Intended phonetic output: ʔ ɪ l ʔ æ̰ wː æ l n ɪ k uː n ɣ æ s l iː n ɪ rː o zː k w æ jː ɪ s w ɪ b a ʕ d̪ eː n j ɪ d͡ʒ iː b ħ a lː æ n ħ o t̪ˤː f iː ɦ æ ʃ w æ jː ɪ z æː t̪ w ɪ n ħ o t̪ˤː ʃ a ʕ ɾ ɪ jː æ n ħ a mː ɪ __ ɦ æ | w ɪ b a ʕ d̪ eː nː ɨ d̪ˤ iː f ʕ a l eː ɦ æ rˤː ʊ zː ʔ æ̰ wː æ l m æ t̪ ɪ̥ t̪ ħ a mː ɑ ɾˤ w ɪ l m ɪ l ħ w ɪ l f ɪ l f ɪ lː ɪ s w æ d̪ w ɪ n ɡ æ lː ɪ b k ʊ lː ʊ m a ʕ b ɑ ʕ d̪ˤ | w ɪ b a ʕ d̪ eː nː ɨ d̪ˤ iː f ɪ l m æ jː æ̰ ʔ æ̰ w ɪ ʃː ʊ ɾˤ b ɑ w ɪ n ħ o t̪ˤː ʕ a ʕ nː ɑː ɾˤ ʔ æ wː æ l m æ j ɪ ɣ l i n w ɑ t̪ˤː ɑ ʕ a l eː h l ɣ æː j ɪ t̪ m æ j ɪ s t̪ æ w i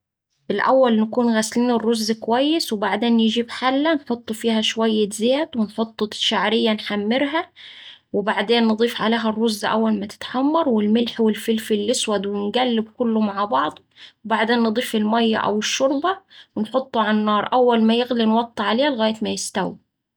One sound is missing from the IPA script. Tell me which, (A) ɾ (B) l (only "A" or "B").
A